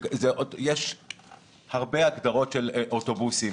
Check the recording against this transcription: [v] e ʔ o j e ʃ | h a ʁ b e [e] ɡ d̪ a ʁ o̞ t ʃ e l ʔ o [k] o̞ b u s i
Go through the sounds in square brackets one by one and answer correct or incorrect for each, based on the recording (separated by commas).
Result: incorrect, incorrect, incorrect